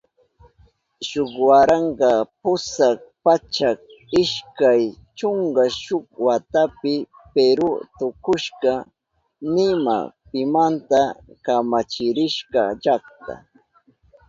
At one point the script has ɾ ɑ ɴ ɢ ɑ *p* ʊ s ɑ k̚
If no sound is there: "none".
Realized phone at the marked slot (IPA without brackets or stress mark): p